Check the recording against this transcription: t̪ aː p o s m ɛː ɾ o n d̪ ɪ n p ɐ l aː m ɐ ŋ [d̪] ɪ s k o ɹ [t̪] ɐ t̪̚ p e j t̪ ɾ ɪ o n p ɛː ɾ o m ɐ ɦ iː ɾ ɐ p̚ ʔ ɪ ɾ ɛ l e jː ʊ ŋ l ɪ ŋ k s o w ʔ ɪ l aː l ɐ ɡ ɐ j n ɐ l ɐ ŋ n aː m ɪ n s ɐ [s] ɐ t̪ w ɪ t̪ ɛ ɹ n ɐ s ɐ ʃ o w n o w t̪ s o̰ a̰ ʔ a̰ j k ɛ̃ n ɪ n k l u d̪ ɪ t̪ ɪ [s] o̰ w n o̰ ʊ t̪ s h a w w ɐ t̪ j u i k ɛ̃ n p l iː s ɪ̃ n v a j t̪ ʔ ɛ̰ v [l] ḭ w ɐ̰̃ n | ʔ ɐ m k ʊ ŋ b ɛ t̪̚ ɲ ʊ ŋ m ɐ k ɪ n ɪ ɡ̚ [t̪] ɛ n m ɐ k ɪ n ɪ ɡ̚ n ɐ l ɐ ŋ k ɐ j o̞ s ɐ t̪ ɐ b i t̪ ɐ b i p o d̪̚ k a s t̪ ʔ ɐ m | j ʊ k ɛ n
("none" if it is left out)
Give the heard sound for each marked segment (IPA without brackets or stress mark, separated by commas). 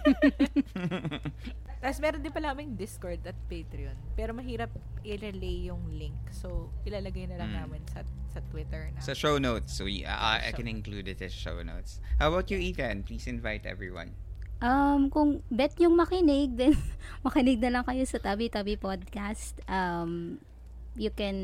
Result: d̪, d̪, s, ʃ, ɹ, d̪